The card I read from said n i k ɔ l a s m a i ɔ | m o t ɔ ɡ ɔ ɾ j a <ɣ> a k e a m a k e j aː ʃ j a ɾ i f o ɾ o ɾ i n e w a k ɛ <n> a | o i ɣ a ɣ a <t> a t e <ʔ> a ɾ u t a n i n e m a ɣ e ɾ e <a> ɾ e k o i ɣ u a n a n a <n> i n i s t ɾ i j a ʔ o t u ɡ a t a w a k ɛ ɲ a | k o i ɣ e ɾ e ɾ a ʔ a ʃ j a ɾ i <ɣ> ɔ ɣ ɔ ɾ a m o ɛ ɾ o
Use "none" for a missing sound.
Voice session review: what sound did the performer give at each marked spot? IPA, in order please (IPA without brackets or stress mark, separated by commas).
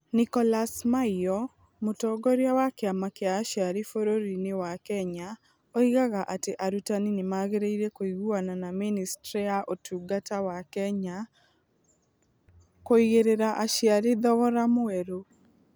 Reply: w, ɲ, ʔ, ʔ, i, m, ð